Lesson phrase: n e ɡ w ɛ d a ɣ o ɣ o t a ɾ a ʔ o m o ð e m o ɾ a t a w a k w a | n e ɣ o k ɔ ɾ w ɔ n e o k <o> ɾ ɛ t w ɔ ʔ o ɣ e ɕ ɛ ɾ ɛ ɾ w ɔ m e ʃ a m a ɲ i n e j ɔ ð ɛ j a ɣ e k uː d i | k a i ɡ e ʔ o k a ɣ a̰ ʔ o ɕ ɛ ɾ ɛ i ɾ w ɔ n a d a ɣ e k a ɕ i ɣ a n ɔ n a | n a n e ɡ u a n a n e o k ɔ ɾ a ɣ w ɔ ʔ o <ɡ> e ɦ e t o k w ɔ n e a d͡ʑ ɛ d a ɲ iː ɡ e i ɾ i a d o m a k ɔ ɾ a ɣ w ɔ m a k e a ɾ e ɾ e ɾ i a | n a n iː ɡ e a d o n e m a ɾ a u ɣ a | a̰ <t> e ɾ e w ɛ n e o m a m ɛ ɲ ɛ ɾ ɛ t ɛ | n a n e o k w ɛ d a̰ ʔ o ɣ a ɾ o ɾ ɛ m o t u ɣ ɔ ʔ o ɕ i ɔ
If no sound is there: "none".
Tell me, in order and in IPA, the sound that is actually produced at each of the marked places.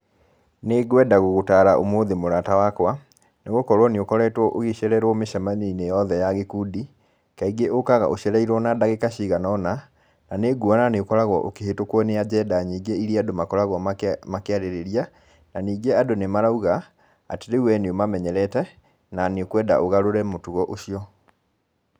ɔ, k, t

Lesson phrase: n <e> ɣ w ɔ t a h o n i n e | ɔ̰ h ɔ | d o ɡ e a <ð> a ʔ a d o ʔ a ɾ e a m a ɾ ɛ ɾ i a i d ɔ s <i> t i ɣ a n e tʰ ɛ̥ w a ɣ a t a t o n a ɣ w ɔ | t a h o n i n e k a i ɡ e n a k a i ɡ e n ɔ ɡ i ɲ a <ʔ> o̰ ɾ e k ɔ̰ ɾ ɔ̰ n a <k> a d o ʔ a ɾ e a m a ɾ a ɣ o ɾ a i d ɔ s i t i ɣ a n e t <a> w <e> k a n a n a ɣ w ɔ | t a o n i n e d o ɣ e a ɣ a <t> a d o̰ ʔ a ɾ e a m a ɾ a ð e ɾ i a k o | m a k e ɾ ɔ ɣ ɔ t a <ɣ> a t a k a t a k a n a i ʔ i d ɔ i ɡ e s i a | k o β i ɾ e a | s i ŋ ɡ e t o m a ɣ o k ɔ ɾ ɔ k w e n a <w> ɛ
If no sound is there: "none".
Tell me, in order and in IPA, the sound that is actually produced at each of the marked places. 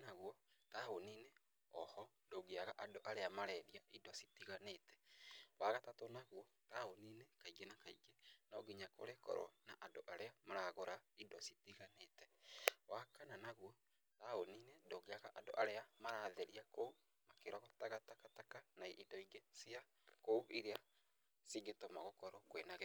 a, ɣ, i, k, ʔ, ɛ, a, ʔ, ɣ, ɣ

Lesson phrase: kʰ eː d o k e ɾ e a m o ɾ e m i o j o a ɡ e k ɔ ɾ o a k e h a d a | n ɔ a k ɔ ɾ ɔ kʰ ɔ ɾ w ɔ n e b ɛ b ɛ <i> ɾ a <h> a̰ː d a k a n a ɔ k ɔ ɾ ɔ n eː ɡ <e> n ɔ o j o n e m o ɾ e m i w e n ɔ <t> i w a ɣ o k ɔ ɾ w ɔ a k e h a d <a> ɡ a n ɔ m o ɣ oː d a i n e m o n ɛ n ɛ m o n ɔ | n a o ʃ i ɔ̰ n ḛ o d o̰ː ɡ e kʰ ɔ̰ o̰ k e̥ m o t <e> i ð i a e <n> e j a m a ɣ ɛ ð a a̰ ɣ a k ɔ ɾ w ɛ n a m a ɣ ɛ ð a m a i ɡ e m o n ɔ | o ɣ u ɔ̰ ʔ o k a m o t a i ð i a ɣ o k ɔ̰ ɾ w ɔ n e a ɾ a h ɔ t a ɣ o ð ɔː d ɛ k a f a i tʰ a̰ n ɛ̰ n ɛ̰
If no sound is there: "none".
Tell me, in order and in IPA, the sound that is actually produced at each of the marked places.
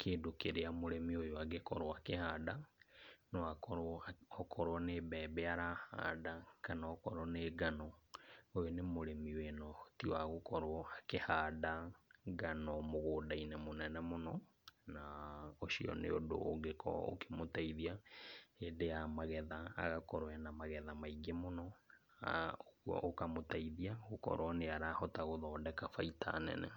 a, h, a, t, a, a, d

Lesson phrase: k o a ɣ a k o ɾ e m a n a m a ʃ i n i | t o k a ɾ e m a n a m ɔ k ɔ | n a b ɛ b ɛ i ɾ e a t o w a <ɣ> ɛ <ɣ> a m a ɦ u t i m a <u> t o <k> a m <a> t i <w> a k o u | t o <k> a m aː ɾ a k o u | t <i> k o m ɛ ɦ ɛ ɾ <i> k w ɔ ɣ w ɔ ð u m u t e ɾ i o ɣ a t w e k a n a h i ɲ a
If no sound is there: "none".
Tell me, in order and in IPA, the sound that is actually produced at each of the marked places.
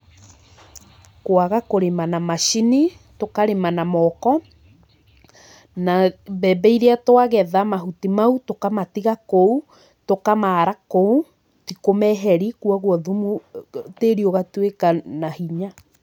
ɣ, ð, u, k, a, ɣ, k, i, i

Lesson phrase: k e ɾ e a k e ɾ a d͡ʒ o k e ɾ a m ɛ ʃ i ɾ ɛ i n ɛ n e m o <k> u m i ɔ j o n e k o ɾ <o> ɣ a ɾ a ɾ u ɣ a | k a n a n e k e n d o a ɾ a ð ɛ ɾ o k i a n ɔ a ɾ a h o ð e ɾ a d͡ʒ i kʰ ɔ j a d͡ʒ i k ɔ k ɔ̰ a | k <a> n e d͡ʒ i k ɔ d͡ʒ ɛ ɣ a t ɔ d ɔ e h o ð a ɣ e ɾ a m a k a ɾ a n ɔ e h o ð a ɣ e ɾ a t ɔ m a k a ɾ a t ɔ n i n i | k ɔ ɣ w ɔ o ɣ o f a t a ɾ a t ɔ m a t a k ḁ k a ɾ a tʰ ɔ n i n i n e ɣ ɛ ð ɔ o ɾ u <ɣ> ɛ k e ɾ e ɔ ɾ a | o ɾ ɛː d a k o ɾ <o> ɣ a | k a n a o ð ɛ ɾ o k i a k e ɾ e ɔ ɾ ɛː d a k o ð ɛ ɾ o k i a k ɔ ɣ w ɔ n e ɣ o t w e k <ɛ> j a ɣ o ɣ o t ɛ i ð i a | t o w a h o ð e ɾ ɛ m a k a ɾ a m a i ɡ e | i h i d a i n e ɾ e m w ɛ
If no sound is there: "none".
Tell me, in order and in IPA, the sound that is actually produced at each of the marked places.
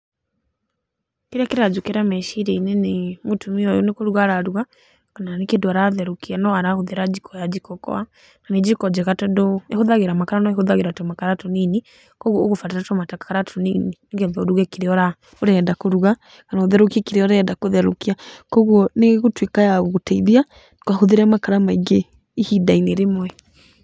t, u, a, ɣ, u, a

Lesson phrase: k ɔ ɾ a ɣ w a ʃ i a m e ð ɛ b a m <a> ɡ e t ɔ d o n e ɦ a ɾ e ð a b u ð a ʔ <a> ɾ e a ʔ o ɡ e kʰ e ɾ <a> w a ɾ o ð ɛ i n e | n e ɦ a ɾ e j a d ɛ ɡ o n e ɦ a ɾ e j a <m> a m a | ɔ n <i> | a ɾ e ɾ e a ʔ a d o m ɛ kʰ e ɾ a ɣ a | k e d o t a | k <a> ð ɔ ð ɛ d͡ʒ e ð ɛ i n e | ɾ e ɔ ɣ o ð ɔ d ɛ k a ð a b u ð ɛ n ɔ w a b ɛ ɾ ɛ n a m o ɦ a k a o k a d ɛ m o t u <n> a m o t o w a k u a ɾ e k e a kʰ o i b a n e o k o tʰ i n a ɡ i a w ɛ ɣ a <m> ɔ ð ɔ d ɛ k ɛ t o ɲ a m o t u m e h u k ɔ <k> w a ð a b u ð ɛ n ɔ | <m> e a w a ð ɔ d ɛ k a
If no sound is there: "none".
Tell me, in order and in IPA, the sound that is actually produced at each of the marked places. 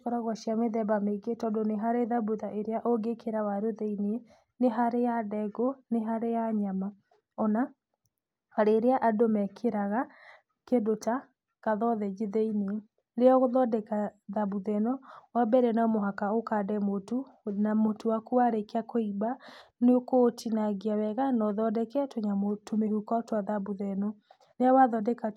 e, e, a, ɲ, a, a, n, n, t, n

